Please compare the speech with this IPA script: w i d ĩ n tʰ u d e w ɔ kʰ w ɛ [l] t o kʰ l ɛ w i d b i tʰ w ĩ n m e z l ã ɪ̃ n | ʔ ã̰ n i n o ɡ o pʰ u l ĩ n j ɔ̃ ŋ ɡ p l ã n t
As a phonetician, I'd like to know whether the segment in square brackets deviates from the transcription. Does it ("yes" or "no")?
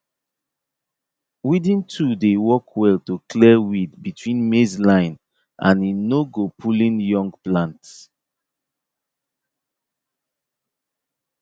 no